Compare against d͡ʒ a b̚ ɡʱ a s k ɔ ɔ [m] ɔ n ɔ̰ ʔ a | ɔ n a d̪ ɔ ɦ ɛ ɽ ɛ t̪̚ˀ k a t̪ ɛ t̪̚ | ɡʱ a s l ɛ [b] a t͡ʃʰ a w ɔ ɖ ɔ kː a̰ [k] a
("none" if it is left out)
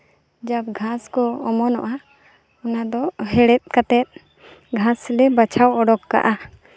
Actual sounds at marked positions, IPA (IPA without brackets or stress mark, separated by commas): m, b, ʔ